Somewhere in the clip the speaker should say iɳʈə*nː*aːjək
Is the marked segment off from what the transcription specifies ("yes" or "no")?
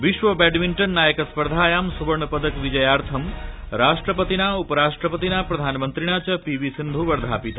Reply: no